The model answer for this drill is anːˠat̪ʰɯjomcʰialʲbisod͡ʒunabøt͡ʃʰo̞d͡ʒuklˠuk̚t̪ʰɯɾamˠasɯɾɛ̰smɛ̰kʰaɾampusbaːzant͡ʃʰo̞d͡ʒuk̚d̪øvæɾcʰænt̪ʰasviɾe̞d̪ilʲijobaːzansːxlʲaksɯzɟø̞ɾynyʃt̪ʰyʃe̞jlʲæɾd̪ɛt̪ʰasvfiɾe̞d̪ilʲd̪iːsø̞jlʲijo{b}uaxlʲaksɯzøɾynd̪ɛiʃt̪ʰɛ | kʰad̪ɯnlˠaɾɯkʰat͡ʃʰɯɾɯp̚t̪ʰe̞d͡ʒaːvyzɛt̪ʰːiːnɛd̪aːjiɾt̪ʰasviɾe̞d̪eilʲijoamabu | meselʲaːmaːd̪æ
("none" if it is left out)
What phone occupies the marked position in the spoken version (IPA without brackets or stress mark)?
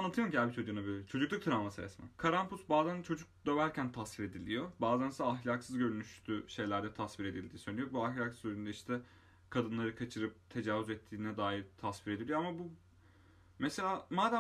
b